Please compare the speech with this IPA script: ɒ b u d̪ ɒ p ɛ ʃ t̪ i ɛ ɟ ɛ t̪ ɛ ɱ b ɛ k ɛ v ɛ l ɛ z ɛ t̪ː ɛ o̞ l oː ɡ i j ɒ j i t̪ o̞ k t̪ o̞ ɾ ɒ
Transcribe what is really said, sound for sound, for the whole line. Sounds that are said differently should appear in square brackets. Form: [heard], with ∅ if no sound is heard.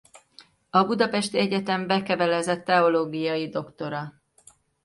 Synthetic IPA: ɒ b u d̪ ɒ p ɛ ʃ t̪ i ɛ ɟ ɛ t̪ ɛ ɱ b ɛ k ɛ v ɛ l ɛ z ɛ t̪ː ɛ o̞ l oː ɡ i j ɒ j i [d̪] o̞ k t̪ o̞ ɾ ɒ